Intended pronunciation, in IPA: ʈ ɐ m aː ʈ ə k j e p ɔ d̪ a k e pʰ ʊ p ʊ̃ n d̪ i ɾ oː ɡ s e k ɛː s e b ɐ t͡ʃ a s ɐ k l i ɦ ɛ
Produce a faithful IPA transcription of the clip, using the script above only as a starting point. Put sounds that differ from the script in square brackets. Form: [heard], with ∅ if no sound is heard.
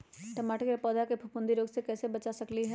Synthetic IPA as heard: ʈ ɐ m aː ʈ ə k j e p [ɔː] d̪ a k e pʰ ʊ p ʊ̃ n d̪ i ɾ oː ɡ s e k ɛː s e b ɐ t͡ʃ a s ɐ k l i ɦ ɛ